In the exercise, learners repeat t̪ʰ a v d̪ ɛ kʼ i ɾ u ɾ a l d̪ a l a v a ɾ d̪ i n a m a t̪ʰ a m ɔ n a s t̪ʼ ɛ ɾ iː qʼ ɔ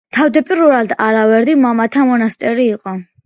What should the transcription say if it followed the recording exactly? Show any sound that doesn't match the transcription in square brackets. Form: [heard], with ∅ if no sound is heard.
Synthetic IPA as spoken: t̪ʰ a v d̪ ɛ [pʼ] i ɾ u ɾ a l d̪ a l a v [ɛ] ɾ d̪ i [m] a m a t̪ʰ a m ɔ n a s t̪ʼ ɛ ɾ iː qʼ ɔ